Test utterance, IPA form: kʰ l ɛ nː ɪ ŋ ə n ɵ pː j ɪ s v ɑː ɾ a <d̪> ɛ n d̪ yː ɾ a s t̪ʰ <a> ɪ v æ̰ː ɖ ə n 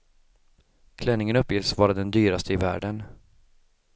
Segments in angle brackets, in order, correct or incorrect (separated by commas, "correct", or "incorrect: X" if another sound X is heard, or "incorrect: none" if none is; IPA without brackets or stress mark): correct, incorrect: ə